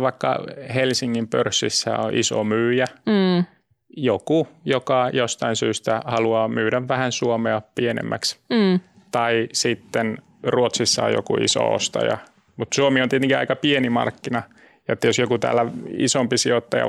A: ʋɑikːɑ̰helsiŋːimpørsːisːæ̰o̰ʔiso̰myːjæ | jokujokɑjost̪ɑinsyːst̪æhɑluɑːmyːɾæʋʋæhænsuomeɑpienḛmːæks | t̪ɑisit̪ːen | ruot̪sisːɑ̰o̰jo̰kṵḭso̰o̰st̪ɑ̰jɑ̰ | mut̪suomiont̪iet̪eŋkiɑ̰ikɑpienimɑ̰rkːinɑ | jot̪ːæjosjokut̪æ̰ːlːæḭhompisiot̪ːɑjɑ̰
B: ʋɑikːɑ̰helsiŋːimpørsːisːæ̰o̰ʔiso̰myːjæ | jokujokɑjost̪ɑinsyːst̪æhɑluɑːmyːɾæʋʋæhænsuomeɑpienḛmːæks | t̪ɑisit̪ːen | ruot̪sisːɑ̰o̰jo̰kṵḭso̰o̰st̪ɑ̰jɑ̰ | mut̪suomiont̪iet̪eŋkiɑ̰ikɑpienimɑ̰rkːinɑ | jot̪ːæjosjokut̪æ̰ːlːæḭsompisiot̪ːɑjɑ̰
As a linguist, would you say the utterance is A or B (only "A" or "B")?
B